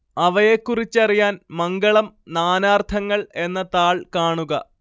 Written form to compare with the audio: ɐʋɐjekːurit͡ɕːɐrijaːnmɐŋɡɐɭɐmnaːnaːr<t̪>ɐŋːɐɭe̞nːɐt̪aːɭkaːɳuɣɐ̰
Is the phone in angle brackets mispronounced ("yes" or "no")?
yes